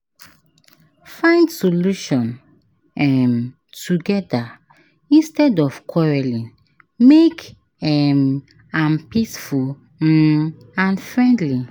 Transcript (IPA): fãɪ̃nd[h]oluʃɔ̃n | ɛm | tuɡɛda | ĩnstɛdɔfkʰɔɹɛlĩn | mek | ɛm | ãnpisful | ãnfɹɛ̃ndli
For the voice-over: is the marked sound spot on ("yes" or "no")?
no